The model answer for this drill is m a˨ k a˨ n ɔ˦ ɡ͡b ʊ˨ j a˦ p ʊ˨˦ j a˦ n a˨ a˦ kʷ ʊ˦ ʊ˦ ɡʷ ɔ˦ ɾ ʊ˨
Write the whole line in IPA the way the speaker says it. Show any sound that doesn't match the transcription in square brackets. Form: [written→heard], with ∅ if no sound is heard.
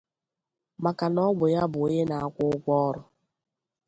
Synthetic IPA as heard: m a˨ k a˨ n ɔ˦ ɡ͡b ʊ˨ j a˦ [p→b] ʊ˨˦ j [a˦→e˦] n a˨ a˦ kʷ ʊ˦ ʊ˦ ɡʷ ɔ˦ ɾ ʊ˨